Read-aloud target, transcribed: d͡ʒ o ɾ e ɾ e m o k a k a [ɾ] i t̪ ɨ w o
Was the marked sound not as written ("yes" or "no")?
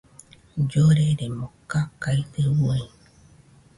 yes